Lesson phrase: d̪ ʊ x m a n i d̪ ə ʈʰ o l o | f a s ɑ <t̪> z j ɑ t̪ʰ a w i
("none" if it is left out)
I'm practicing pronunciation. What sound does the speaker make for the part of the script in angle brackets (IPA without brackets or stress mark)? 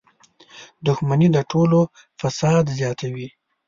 d̪